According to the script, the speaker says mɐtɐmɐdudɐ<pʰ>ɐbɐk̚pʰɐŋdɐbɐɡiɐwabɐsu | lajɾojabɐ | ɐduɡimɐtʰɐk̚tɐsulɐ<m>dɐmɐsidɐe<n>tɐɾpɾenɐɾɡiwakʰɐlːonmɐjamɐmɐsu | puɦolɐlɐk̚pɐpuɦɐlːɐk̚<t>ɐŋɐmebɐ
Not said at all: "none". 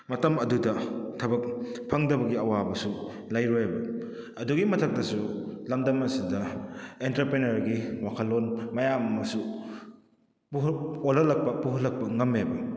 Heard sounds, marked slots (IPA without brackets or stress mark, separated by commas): tʰ, m, n, p